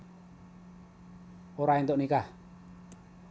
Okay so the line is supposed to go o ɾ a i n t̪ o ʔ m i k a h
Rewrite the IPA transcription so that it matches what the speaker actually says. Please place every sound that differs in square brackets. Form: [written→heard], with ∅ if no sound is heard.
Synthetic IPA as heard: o ɾ a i n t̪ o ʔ [m→n] i k a h